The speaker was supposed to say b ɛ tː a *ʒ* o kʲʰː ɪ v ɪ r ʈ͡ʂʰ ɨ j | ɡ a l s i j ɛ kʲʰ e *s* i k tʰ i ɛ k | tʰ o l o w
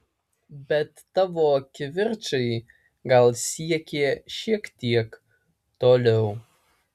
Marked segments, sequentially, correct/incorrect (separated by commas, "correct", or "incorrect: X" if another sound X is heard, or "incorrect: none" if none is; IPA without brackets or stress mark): incorrect: v, incorrect: ʃ